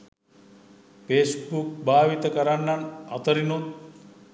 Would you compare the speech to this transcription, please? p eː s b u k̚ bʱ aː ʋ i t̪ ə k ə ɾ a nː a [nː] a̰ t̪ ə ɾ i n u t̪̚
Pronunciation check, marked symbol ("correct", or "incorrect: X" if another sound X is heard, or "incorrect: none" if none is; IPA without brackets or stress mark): incorrect: n